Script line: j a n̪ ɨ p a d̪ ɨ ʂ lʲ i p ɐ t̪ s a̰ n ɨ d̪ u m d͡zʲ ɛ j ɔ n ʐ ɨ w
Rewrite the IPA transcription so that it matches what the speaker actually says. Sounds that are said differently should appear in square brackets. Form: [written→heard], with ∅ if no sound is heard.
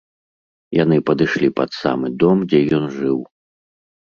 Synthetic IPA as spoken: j a n̪ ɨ p [a→ɐ] d̪ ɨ ʂ lʲ i p ɐ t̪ s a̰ [n→m] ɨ d̪ [u→ɔ] m d͡zʲ ɛ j ɔ n ʐ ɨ w